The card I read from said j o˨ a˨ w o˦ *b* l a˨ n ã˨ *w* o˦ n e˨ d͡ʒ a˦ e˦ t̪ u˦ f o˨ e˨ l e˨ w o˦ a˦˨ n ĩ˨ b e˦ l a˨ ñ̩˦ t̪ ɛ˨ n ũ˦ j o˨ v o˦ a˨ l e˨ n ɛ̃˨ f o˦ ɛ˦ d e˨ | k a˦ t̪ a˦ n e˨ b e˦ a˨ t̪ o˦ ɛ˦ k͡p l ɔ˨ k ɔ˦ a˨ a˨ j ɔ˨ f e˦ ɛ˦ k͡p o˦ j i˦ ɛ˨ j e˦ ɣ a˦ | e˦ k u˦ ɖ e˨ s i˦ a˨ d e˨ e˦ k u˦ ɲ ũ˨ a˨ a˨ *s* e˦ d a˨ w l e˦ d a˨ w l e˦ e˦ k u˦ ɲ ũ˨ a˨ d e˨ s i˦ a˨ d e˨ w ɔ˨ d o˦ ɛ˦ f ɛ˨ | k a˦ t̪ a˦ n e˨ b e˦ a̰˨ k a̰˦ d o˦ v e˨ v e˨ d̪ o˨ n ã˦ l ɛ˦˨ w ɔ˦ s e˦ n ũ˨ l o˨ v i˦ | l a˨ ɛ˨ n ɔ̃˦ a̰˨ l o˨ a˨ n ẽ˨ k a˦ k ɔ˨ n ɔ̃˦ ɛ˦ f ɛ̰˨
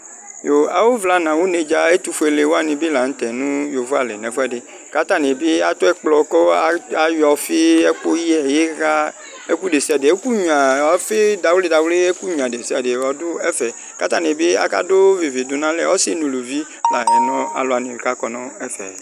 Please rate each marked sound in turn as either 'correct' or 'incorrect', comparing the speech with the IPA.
incorrect: v, correct, incorrect: f

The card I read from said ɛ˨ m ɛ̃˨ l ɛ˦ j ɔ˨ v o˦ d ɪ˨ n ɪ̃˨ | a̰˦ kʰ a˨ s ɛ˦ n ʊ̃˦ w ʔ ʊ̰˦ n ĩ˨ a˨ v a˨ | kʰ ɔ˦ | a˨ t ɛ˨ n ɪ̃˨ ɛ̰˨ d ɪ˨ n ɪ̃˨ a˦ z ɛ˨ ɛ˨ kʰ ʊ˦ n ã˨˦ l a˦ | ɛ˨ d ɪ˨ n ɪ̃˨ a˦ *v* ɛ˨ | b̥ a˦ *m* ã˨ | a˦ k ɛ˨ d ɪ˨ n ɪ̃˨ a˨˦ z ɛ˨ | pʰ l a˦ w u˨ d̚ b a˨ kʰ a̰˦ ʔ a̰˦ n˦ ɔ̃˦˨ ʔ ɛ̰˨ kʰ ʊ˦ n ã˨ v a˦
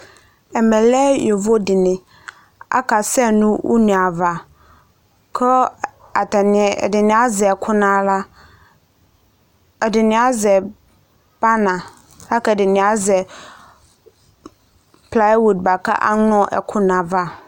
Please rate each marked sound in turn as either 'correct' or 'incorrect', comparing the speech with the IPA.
incorrect: z, incorrect: n

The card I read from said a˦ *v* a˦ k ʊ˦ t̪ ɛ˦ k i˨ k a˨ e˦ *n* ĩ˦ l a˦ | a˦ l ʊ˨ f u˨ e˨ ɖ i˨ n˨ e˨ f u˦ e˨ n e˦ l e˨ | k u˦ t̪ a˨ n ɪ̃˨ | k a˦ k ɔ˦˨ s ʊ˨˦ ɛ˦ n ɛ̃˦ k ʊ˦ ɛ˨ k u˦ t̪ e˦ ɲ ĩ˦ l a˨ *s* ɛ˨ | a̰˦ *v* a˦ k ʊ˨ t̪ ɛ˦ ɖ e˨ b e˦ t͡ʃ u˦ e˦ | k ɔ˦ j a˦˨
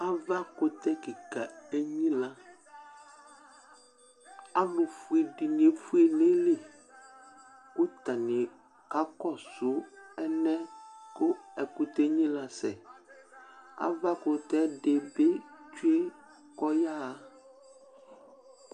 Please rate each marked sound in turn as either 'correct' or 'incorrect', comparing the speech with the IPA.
correct, incorrect: ɲ, correct, correct

